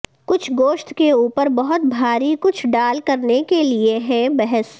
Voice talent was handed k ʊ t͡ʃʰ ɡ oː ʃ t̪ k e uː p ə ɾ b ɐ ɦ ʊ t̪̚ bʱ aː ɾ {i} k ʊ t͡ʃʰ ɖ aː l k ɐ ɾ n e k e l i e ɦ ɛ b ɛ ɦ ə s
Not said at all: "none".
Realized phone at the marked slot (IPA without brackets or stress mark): i